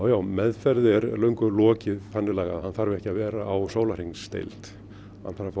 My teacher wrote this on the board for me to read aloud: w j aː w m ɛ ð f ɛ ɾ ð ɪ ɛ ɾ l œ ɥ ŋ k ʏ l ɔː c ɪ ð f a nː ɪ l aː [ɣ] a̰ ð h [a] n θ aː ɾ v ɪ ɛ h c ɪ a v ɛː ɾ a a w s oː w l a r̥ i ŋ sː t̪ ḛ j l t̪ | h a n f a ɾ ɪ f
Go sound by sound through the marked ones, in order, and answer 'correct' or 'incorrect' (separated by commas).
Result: correct, correct